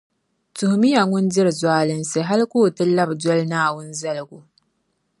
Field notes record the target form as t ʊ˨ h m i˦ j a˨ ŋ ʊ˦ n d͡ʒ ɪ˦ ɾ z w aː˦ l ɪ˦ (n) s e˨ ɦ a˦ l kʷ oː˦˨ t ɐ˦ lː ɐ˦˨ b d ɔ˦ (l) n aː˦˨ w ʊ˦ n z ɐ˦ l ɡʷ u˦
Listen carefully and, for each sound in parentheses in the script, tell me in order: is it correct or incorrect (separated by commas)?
correct, correct